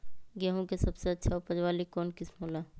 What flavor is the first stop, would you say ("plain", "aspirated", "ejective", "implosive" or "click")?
plain